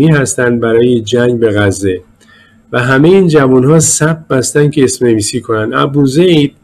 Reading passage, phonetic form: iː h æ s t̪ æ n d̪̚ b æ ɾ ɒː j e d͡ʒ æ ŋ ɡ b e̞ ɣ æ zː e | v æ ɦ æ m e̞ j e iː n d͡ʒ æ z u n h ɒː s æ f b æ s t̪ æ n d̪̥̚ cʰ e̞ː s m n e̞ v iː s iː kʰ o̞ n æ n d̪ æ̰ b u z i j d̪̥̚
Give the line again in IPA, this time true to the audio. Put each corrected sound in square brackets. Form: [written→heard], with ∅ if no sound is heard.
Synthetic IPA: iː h æ s t̪ æ n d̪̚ b æ ɾ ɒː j e d͡ʒ æ ŋ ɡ b e̞ ɣ æ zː e | v æ ɦ æ m e̞ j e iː n d͡ʒ æ [z→v] u n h ɒː s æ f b æ s t̪ æ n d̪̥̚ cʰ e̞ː s m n e̞ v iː s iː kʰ o̞ n æ n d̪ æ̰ b u z [i→e] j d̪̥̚